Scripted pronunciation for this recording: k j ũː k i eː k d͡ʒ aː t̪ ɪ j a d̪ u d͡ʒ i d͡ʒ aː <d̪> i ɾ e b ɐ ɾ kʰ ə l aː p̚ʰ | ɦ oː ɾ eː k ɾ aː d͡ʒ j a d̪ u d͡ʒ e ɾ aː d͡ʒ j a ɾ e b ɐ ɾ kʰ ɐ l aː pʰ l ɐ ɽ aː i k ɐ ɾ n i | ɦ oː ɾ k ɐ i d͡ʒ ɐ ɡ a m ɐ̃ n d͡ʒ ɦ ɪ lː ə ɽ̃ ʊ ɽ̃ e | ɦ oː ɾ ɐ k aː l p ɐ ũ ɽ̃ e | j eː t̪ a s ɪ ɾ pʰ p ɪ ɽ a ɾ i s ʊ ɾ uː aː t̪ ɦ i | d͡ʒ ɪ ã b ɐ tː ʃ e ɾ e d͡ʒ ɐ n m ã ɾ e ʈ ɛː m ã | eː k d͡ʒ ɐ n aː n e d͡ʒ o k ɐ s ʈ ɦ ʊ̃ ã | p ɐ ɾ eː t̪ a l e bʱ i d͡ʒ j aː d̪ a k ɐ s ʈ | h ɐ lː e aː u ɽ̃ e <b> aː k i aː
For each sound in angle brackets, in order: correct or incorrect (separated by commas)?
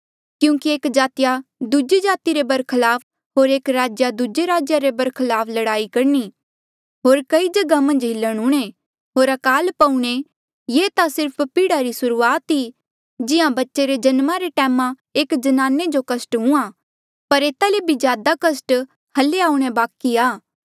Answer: incorrect, correct